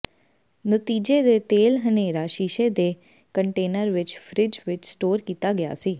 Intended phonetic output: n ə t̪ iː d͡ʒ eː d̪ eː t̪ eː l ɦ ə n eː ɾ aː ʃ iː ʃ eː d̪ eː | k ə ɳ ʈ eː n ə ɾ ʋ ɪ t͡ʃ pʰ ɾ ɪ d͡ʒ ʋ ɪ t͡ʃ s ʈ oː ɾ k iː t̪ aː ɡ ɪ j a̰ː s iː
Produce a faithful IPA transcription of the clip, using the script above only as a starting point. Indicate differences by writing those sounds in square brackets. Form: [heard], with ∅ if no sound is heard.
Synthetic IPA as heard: n ə t̪ iː d͡ʒ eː d̪ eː t̪ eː l ɦ ə n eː ɾ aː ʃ iː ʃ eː d̪ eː | k ə ɳ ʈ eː n ə ɾ ʋ ɪ t͡ʃ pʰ ɾ ɪ d͡ʒ ʋ ɪ t͡ʃ s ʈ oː ɾ k iː t̪ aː ɡ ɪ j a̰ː s iː